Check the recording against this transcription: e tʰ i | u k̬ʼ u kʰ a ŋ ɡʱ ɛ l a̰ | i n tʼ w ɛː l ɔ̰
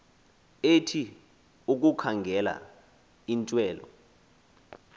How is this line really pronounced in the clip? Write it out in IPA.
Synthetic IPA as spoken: e tʰ i | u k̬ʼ u kʰ a ŋ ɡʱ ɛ l a̰ | i n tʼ w ɛː l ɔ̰